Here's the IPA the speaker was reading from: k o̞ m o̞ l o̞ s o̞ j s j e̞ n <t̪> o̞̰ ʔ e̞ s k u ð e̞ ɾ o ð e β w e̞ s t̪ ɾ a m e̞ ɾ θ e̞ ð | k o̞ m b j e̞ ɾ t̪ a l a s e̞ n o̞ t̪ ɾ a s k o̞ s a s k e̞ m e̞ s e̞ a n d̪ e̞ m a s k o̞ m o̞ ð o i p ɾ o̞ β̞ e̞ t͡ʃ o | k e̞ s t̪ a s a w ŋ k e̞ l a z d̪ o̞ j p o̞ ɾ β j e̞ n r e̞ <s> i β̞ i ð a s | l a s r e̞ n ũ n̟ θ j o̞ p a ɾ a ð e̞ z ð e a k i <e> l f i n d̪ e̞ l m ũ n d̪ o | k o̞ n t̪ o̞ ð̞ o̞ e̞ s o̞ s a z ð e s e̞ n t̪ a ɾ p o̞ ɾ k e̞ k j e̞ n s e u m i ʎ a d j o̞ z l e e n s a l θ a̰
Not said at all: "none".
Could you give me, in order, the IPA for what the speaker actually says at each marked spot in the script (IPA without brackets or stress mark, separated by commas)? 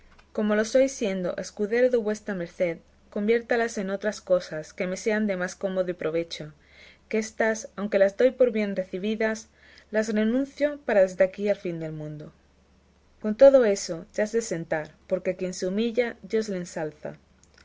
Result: d̪, θ, a